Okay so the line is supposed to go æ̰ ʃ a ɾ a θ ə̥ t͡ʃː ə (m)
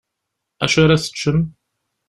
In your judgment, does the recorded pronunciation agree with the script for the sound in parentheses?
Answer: yes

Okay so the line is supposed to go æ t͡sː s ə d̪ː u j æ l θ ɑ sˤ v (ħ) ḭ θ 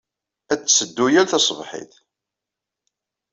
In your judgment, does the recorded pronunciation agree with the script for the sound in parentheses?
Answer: yes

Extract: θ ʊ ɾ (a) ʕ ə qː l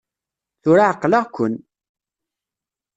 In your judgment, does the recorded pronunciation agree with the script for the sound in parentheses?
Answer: yes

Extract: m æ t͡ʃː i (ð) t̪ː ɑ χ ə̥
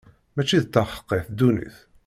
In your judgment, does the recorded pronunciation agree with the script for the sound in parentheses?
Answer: yes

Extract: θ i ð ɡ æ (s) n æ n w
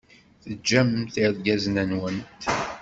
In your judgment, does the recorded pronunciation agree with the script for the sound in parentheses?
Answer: no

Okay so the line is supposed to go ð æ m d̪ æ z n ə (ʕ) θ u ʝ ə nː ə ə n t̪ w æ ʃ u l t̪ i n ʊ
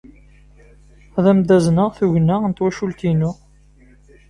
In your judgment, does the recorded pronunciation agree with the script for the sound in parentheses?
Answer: no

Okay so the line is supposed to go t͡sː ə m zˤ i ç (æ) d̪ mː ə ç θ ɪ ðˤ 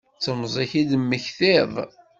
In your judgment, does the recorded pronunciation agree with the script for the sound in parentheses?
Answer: no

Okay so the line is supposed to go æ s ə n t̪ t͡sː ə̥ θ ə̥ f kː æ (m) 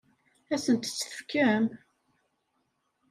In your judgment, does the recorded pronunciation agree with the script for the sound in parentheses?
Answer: yes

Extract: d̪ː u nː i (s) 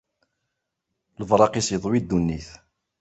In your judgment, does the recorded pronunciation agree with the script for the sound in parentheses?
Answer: no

